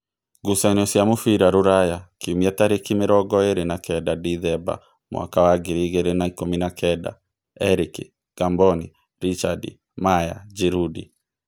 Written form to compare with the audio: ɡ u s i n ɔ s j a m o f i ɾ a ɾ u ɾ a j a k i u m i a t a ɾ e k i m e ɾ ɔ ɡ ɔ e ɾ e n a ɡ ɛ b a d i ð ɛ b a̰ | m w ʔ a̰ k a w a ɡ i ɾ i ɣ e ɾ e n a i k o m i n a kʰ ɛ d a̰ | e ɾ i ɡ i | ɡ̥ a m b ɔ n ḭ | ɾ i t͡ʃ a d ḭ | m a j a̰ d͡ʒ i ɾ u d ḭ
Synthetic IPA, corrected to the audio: ɡ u s a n ɔ s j a m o f i ɾ a ɾ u ɾ a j a k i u m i a t a ɾ e k i m e ɾ ɔ ɡ ɔ e ɾ e n a k ɛ d a d i ð ɛ b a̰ | m w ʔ a̰ k a w a ɡ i ɾ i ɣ e ɾ e n a i k o m i n a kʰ ɛ d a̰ | ɛ ɾ i k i | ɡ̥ a m b ɔ n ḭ | ɾ i t͡ʃ a d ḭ | m a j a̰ d͡ʒ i ɾ u d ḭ